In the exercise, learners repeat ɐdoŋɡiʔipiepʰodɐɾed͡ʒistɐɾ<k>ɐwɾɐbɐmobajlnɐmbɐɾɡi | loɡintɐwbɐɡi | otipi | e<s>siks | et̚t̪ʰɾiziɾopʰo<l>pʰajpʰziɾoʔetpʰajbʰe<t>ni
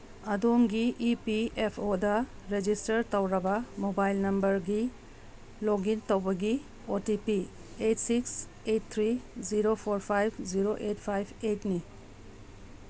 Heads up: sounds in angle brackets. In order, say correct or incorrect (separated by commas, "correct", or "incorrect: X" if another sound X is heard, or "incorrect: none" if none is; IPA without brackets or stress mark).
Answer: incorrect: t, incorrect: t, incorrect: ɾ, correct